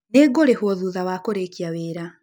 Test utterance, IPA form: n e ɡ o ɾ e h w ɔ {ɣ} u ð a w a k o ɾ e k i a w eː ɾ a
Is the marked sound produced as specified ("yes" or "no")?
no